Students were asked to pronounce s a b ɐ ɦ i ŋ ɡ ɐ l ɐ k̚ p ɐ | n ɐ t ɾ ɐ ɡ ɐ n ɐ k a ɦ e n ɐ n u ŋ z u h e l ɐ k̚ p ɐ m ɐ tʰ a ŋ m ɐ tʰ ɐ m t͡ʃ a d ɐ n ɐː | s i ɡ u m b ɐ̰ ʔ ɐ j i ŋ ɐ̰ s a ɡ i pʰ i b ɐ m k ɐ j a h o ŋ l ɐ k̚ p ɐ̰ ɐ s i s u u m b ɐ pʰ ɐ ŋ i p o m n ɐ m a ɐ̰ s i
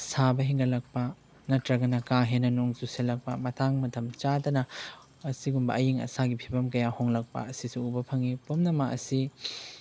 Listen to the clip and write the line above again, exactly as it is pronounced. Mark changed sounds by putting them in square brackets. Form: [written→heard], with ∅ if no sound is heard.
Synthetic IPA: s a b ɐ ɦ i ŋ ɡ ɐ l ɐ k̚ p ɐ | n ɐ t ɾ ɐ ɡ ɐ n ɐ k a ɦ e n ɐ n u ŋ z u [h→s] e l ɐ k̚ p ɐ m ɐ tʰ a ŋ m ɐ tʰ ɐ m t͡ʃ a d ɐ n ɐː | s i ɡ u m b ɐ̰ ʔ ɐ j i ŋ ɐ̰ s a ɡ i pʰ i b ɐ m k ɐ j a h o ŋ l ɐ k̚ p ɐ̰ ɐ s i s u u [m→∅] b ɐ pʰ ɐ ŋ i p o m n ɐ m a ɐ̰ s i